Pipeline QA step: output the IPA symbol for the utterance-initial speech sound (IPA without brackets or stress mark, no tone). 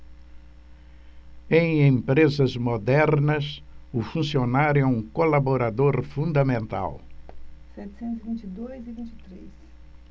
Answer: ẽ